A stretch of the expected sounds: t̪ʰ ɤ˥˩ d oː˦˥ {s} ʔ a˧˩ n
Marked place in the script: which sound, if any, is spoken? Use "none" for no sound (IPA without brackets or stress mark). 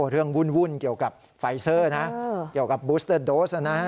s